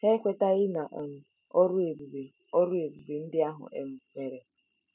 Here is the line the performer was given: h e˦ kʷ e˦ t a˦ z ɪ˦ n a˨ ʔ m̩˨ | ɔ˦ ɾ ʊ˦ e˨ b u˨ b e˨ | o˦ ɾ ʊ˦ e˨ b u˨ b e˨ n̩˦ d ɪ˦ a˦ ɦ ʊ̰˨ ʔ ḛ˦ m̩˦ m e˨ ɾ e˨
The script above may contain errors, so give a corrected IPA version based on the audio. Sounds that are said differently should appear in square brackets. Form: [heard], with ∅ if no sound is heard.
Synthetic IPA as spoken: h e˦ kʷ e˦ t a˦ [ɣ] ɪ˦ n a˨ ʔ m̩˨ | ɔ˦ ɾ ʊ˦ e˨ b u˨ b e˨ | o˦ ɾ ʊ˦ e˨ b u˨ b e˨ n̩˦ d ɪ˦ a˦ ɦ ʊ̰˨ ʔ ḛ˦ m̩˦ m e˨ ɾ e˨